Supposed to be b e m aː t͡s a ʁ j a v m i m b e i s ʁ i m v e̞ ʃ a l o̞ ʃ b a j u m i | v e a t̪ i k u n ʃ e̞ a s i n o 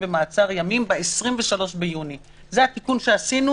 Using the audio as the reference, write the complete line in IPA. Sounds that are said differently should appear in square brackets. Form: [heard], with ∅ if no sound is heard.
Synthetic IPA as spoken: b e m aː t͡s a ʁ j a [∅] m i m b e [e] s ʁ i m v e̞ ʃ a l o̞ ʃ b [e] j u [n] i | [z] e a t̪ i k u n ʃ e̞ a s i n [u]